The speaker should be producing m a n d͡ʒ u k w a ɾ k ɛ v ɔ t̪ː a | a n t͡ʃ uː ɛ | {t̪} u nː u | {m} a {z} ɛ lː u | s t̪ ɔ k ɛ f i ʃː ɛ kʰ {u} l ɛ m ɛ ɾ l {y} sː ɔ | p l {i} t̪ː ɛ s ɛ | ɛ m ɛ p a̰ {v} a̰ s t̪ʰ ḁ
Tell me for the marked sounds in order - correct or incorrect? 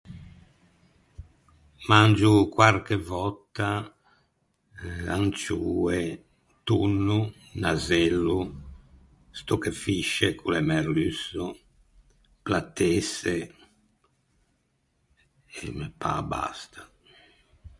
correct, incorrect, correct, correct, correct, incorrect, incorrect

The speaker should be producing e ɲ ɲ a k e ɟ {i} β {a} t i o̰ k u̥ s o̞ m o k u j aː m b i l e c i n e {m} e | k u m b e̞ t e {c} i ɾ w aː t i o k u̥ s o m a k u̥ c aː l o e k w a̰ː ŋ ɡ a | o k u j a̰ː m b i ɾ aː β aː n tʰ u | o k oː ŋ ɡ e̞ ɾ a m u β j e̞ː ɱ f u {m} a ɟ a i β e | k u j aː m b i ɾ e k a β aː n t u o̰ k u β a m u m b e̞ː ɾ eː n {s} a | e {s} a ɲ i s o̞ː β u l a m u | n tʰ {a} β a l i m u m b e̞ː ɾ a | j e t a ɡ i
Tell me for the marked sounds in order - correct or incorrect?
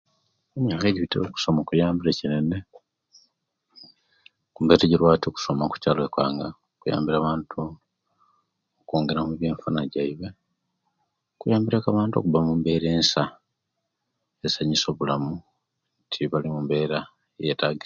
correct, incorrect, incorrect, incorrect, incorrect, correct, correct, incorrect

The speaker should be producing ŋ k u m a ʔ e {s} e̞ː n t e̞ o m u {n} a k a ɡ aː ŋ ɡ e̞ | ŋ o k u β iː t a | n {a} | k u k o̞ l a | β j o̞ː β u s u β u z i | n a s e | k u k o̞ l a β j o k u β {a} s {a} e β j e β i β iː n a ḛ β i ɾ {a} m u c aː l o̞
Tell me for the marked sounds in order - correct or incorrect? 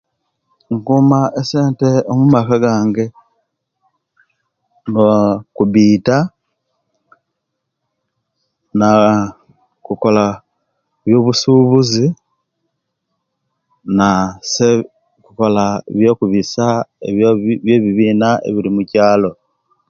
correct, incorrect, correct, incorrect, correct, incorrect

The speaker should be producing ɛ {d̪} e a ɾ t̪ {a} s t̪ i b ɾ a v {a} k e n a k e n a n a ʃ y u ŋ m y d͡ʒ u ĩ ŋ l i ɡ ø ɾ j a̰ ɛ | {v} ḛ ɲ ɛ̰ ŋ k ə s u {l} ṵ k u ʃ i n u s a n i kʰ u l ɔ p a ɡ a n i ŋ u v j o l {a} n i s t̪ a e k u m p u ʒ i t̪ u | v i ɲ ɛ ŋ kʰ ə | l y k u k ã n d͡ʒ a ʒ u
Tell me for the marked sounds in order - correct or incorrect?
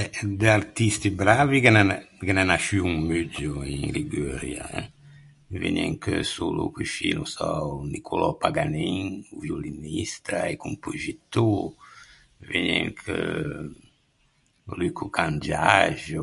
correct, incorrect, incorrect, correct, correct, incorrect

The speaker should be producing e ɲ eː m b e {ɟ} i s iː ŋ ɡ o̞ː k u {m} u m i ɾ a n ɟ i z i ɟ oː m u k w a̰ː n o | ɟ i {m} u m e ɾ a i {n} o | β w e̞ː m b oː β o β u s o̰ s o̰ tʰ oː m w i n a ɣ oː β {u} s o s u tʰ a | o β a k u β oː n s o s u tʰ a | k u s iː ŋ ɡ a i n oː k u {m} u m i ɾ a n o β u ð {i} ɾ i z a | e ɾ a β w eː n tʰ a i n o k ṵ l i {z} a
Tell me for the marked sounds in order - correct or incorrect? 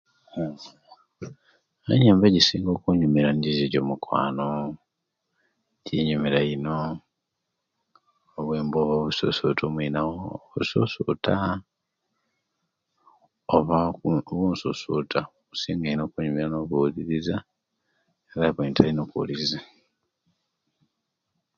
correct, incorrect, incorrect, correct, correct, incorrect, correct, correct

